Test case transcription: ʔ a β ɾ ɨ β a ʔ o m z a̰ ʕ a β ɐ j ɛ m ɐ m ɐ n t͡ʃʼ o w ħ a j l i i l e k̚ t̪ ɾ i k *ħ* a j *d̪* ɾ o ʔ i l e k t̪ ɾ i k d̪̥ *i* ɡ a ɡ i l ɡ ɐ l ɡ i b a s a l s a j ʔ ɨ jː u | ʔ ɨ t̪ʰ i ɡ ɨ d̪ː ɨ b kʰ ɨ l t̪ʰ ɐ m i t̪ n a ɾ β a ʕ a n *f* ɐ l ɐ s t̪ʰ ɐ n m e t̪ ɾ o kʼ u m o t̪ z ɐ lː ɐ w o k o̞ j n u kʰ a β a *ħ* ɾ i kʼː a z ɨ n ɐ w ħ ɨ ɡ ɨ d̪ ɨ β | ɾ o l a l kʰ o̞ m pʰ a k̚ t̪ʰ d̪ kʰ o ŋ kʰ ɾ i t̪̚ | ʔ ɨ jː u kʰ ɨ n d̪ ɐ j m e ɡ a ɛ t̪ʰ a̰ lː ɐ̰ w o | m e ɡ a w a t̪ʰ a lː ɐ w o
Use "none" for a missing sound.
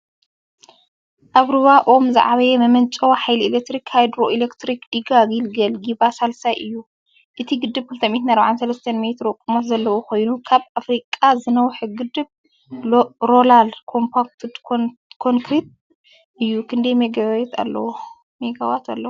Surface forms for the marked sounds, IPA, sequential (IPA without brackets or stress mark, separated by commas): h, d̪, i, s, f